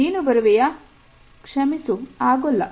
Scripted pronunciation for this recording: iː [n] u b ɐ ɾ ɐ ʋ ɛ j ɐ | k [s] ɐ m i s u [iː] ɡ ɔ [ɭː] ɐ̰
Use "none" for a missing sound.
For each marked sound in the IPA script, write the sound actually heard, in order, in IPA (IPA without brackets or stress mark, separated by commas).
n, ʂ, aː, lː